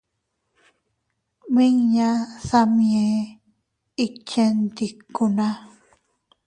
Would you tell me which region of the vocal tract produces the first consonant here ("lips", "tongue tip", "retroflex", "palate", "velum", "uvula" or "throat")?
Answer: lips